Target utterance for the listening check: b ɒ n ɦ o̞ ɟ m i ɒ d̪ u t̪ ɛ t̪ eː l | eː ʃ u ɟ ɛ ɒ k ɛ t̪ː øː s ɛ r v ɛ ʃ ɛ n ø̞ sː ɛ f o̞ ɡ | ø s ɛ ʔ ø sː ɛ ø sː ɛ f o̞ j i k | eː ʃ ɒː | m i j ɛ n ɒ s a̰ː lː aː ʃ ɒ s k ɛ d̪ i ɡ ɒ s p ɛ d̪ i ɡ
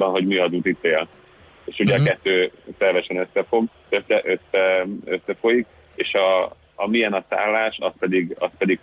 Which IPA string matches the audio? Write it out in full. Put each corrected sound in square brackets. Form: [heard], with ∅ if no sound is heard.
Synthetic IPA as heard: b ɒ n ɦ o̞ ɟ m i ɒ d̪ u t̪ [i] t̪ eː l | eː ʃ u ɟ ɛ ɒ k ɛ t̪ː øː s ɛ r v ɛ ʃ ɛ n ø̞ sː ɛ f o̞ ɡ | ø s ɛ ʔ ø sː ɛ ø sː ɛ f o̞ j i k | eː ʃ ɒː | m i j ɛ n ɒ s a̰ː lː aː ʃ ɒ s [p] ɛ d̪ i ɡ ɒ s p ɛ d̪ i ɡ